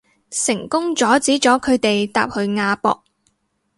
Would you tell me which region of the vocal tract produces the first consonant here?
tongue tip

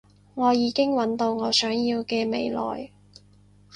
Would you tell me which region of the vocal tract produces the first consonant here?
velum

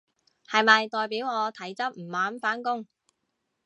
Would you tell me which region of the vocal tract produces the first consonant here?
throat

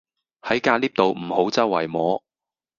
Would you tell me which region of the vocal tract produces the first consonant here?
throat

